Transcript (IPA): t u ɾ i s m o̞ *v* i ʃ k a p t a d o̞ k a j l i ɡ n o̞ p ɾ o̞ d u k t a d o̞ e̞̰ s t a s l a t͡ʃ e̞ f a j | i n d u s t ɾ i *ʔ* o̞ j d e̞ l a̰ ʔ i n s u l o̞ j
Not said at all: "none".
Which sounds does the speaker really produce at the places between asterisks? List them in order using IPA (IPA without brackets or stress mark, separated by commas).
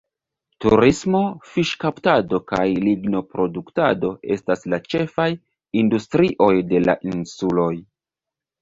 f, ʔ